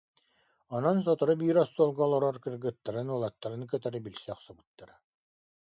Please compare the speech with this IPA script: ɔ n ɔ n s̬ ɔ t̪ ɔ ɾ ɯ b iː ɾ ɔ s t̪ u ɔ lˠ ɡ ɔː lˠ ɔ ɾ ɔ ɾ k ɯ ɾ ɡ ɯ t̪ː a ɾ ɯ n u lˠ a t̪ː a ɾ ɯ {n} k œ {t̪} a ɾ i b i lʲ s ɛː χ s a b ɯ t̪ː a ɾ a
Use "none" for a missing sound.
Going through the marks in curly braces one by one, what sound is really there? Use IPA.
n, t̪

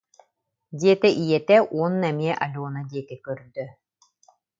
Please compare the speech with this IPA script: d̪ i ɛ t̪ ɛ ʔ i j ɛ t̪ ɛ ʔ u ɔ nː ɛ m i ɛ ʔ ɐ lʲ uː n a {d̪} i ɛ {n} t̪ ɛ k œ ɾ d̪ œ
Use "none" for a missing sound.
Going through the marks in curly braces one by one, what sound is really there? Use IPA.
d̪, none

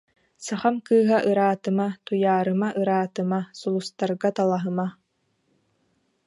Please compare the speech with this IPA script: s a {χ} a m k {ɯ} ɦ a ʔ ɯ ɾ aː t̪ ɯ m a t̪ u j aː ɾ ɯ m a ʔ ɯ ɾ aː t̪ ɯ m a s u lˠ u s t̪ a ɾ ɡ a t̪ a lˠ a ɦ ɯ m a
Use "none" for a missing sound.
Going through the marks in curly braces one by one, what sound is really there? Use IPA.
χ, ɯː

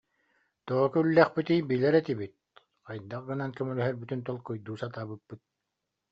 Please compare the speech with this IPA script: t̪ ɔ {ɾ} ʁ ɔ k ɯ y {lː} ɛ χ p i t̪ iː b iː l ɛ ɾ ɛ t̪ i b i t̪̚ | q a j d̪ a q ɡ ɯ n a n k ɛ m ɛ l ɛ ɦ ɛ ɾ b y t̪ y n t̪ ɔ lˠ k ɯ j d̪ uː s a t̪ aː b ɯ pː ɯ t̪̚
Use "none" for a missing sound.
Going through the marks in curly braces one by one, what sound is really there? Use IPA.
none, lː

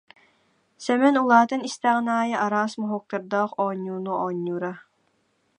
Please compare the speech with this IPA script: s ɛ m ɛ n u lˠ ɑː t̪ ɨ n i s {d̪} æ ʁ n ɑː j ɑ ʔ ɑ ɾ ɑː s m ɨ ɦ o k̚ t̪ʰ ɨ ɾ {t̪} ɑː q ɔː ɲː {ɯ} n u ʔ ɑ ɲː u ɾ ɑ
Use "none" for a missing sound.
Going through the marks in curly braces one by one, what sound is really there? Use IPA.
t̪, d̪, u

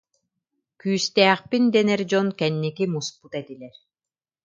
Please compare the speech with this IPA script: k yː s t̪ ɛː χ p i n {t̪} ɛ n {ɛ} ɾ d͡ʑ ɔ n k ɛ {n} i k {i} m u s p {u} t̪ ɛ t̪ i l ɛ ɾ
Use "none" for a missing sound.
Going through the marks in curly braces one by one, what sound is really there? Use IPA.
d̪, ɛ, nː, i, u

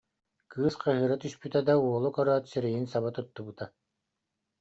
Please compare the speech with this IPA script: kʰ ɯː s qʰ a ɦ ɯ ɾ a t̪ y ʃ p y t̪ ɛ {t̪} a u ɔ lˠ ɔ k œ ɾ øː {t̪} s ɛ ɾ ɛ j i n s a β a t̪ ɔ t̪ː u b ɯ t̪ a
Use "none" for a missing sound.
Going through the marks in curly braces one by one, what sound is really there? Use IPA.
d̪, t̪

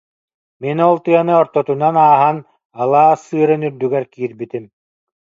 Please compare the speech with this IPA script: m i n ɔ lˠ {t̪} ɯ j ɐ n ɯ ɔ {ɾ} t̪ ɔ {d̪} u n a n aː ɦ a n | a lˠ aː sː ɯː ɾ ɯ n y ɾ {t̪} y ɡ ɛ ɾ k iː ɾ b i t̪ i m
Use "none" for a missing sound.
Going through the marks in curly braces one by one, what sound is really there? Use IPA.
t̪, ɾ, t̪, d̪

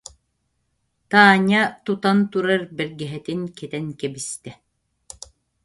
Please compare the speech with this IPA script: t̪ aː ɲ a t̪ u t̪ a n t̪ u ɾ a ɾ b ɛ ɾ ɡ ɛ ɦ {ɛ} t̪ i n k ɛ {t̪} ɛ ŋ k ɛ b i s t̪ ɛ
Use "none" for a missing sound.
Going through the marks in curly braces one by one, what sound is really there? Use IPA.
ɛ, t̪

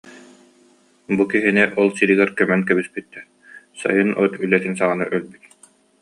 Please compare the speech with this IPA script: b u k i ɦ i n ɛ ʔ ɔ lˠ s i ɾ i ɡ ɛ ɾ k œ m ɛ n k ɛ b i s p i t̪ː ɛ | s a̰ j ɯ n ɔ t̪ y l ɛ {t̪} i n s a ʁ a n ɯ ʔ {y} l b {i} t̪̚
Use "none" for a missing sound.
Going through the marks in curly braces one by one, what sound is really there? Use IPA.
t̪, œ, y

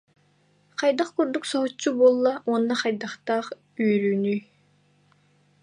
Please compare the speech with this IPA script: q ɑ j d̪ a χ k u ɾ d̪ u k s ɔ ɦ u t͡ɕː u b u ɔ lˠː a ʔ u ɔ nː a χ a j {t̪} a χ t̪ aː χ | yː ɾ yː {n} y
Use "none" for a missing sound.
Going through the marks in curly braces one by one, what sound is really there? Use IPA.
d̪, n

